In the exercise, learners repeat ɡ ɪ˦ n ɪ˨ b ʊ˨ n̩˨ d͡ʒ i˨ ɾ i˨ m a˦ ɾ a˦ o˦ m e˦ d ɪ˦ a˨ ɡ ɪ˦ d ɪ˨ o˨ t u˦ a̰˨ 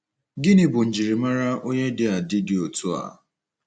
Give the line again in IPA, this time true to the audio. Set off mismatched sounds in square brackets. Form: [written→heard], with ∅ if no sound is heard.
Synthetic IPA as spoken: ɡ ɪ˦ n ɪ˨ b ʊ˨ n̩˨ d͡ʒ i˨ ɾ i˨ m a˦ ɾ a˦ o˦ [m→ɲ] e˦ d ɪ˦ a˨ [ɡ→d] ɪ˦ d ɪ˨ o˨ t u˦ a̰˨